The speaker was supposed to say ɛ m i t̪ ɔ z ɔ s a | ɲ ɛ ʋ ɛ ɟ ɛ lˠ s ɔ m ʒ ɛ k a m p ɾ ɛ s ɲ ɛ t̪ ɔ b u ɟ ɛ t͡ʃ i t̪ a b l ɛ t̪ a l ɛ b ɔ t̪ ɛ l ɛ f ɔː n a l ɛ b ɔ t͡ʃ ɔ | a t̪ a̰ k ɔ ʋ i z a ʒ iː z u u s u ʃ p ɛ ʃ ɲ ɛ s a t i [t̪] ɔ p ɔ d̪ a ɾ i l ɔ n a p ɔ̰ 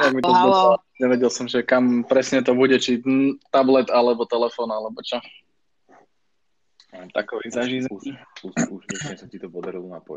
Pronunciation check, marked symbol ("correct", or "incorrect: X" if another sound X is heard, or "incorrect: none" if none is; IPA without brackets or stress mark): correct